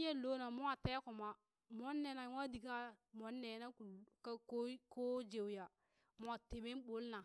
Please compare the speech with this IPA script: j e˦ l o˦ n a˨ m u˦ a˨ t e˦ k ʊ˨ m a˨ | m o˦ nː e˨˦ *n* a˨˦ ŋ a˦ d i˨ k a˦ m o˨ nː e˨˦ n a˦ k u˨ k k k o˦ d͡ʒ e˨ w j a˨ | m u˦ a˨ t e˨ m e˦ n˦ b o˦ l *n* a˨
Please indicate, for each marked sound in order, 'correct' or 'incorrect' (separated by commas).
correct, correct